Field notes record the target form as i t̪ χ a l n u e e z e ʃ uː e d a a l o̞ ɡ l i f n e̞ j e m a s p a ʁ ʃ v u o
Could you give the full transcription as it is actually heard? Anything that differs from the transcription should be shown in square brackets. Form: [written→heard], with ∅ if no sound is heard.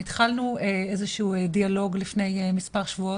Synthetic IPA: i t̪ χ a l n u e e z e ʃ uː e d [a→i] a l o̞ ɡ l i f n e̞ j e m [a→i] s p a ʁ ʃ v u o